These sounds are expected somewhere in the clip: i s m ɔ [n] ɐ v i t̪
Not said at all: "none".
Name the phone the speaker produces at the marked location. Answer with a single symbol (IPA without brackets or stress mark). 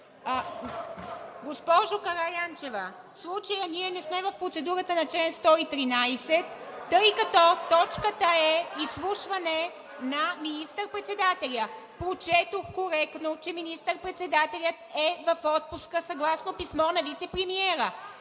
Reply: n